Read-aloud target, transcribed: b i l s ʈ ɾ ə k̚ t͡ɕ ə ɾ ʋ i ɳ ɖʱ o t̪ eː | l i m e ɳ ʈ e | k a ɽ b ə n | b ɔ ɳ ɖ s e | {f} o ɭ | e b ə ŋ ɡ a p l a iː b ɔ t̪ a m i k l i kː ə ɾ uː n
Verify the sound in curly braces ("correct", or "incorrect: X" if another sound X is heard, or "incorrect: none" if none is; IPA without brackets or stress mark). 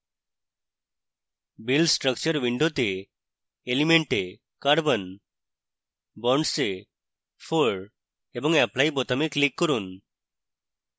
correct